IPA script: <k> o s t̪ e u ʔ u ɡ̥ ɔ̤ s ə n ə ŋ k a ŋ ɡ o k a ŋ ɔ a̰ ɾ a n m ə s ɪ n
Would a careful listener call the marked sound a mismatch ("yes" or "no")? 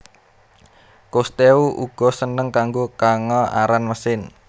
no